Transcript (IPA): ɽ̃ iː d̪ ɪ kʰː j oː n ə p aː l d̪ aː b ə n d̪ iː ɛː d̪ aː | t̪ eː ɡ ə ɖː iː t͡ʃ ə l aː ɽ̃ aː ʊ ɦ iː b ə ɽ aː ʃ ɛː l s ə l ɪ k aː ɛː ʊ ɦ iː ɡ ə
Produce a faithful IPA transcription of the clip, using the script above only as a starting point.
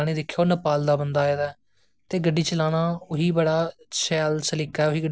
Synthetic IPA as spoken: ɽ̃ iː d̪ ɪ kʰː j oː n ə p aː l d̪ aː b ə n d̪ aː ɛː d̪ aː | t̪ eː ɡ ə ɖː iː t͡ʃ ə l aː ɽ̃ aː ʊ ɦ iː b ə ɽ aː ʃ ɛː l s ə l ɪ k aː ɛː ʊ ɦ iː ɡ ə